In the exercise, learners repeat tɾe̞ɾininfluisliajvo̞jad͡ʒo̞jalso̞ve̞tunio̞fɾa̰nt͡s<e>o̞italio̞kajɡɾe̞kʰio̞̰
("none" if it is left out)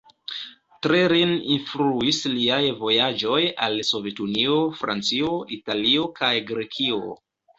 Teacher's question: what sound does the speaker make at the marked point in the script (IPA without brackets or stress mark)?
i